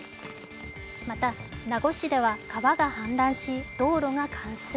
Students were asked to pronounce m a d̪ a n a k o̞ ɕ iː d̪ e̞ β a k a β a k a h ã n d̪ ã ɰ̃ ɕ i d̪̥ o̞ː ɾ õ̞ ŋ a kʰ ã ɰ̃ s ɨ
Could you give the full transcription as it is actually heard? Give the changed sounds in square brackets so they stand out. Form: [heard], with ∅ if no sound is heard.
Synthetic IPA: m a [t̪] a n a [ɡ] o̞ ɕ [i] d̪ e̞ β a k a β a [ɡ] a h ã n d̪ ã ɰ̃ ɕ i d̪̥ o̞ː ɾ [o̞] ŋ a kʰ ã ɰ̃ s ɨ